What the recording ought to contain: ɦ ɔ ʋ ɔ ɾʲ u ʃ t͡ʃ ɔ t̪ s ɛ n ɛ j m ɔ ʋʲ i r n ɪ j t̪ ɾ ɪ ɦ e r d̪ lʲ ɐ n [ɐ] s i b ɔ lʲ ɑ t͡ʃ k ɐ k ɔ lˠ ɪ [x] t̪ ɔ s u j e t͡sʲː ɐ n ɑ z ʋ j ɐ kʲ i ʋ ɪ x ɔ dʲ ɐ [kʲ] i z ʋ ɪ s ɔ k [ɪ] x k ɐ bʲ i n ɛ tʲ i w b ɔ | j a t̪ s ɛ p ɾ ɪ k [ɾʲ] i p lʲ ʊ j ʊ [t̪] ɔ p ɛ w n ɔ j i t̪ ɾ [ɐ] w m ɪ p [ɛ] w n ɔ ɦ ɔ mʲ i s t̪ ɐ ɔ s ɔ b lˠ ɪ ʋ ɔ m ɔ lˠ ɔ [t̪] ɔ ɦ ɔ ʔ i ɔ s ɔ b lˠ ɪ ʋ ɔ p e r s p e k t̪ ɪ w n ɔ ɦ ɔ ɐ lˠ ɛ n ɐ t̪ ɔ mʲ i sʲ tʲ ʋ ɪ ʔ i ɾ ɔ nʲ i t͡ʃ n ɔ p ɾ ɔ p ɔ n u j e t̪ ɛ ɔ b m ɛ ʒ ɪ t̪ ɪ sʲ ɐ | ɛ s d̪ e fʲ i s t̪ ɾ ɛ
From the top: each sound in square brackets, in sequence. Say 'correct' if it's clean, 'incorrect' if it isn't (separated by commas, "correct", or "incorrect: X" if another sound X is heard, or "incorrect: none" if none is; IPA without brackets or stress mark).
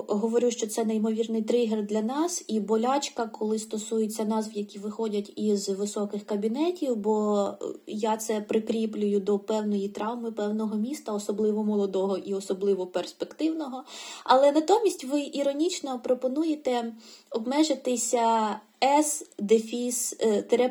incorrect: ɑ, incorrect: s, incorrect: tʲ, correct, correct, incorrect: d̪, incorrect: ɑ, correct, incorrect: d̪